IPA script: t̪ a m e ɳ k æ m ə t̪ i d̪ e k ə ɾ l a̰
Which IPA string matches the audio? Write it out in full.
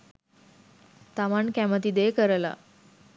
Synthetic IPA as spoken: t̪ a m a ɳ k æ m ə t̪ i d̪ e k ə ɾ l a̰

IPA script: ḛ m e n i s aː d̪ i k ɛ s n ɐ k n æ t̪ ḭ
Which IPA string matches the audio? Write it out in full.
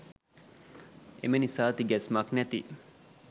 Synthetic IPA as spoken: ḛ m e n i s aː t̪ i ɡ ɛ s m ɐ k n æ t̪ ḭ

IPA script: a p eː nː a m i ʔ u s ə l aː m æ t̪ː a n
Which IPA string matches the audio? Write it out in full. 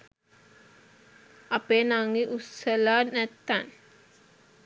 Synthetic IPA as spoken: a p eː n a ŋ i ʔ u s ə l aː n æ t̪ː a n

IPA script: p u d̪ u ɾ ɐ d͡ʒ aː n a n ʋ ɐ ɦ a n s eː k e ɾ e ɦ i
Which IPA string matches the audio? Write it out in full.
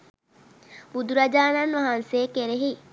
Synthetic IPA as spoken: b u d̪ u ɾ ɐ d͡ʒ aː n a n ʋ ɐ ɦ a n s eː k e ɾ e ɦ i

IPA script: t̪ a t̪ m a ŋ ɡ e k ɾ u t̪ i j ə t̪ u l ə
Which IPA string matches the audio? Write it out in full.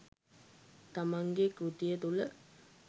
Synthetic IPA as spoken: t̪ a m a ŋ ɡ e k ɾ u t̪ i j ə t̪ u l ə

